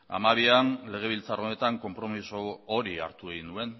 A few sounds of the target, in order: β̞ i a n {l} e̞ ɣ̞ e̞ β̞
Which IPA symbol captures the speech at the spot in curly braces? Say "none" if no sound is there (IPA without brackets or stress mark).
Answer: l